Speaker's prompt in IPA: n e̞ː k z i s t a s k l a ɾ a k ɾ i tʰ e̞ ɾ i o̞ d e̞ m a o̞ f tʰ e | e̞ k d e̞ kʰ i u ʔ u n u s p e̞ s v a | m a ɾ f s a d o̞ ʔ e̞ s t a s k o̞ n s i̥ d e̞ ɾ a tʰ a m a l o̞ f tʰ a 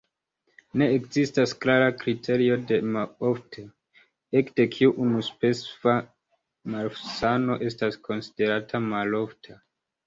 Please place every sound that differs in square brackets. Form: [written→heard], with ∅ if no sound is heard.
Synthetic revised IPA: n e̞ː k z i s t a s k l a ɾ a k ɾ i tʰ e̞ ɾ i o̞ d e̞ m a o̞ f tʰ e | e̞ k d e̞ kʰ i u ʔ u n u s p e̞ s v a | m a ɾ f s a [d→n] o̞ ʔ e̞ s t a s k o̞ n s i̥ d e̞ ɾ a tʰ a m a l o̞ f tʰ a